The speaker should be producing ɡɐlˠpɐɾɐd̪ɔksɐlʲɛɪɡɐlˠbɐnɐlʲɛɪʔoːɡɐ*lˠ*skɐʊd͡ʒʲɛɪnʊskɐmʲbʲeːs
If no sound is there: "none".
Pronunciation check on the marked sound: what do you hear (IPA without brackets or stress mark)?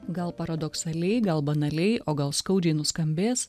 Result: lˠ